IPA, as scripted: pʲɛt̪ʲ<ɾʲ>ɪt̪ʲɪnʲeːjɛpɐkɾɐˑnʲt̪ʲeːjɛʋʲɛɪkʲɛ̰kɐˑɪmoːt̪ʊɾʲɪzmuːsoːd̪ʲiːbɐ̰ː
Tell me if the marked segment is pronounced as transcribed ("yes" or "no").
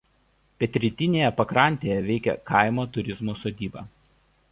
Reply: yes